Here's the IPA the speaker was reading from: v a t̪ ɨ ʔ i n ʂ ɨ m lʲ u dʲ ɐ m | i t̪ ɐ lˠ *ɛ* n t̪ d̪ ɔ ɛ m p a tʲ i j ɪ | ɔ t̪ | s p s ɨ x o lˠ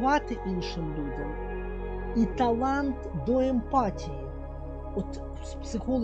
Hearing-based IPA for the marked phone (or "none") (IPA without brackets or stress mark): a